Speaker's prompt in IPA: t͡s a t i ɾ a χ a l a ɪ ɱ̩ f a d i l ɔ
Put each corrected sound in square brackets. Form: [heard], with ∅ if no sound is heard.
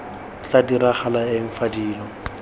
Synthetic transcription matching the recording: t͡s a [d] i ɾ a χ a l a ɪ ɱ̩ f a d [iː] l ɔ